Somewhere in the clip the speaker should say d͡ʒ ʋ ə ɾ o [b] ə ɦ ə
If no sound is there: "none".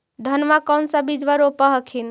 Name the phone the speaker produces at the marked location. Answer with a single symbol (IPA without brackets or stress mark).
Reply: p